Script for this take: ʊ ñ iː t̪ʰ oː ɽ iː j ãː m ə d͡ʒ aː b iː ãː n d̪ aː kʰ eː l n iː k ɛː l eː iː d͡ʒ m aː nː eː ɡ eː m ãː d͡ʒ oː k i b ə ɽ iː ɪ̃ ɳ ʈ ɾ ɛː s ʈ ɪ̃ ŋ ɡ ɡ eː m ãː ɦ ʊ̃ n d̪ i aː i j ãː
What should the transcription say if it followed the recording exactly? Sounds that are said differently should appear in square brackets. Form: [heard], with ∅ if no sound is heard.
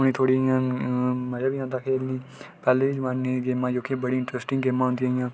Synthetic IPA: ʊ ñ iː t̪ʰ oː ɽ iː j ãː m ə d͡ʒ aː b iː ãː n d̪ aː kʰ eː l n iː [p] ɛː l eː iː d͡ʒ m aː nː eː ɡ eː m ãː d͡ʒ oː k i b ə ɽ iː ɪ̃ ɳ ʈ ɾ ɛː s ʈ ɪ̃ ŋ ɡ ɡ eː m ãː ɦ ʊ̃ n d̪ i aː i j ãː